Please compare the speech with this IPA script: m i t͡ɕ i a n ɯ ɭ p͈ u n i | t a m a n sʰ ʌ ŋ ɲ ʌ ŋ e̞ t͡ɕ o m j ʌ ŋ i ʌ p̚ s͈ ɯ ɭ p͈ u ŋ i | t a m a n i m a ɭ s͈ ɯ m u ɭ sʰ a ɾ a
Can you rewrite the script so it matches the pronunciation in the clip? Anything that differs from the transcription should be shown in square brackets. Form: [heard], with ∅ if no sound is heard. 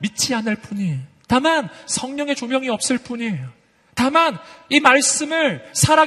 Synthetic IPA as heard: m i [t͡ɕʰ] i a n ɯ ɭ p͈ u [ɲ] i | t a m a n sʰ ʌ ŋ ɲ ʌ ŋ e̞ t͡ɕ o m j ʌ ŋ i ʌ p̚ s͈ ɯ ɭ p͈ u [ɲ] i | t a m a n i m a ɭ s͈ ɯ m [ɯ] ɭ sʰ a ɾ a